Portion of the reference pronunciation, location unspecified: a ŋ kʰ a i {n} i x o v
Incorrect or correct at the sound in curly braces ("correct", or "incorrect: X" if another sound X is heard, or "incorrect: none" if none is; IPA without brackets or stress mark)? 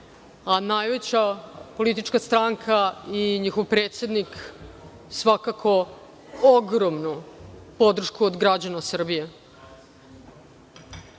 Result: incorrect: ɲ